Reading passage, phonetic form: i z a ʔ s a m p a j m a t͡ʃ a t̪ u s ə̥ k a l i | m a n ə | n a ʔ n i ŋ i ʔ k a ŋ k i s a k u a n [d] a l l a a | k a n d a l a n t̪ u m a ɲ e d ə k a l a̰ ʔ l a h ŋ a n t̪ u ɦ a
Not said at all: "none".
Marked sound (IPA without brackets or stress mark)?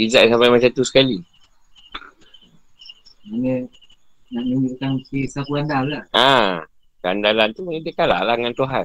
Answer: d